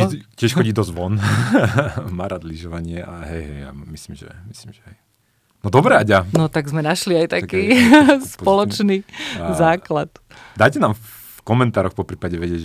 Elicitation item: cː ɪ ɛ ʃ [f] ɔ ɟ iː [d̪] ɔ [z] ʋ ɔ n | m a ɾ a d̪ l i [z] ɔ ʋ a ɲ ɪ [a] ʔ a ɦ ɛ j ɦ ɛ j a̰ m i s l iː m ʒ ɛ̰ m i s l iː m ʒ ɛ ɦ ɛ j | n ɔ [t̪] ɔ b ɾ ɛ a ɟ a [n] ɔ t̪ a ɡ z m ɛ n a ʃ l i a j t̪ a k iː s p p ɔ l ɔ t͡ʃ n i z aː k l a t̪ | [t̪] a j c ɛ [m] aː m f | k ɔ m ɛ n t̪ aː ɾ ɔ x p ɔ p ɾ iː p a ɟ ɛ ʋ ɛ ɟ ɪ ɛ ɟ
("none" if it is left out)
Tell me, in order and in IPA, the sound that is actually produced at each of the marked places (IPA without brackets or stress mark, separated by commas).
x, d̪, z, ʒ, ɛ, d̪, n, d̪, n